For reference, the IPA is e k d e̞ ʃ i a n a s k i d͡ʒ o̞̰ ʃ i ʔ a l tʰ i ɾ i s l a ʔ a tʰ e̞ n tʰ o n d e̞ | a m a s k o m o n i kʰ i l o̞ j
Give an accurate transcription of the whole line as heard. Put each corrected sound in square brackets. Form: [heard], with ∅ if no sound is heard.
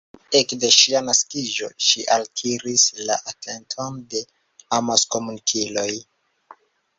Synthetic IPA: e k d e̞ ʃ i a n a s k i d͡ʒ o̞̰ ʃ i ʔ a l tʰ i ɾ i s l a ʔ a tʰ e̞ n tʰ o n d e̞ | a m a s k o m [u] n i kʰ i l o̞ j